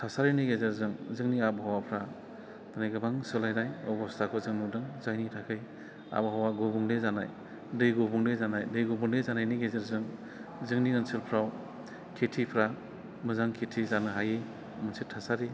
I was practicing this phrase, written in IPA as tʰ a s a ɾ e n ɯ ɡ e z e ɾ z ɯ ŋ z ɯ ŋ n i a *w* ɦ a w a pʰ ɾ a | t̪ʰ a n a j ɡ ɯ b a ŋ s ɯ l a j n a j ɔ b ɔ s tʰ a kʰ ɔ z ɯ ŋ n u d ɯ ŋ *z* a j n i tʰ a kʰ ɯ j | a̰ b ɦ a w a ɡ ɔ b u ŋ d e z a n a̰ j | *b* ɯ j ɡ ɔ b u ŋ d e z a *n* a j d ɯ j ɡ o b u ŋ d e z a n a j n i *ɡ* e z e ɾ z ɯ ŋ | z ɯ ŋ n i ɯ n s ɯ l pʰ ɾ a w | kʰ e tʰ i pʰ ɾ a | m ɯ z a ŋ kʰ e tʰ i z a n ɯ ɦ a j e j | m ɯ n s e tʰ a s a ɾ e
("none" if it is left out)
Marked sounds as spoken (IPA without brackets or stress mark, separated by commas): b, z, d, n, ɡ